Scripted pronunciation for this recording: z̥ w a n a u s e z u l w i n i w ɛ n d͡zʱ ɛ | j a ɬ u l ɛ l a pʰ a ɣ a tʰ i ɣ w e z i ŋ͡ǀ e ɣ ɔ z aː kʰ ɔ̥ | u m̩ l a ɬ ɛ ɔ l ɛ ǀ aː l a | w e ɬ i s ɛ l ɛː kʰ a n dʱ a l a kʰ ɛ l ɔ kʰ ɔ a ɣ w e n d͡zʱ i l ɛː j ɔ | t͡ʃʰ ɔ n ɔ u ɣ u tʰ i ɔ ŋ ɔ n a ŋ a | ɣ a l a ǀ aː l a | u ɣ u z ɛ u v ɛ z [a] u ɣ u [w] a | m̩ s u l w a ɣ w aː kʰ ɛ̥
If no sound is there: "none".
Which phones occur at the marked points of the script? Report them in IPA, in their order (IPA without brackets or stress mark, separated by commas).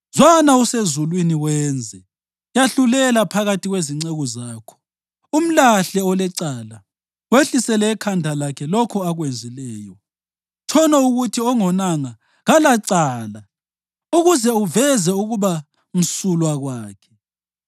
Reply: ɛ, β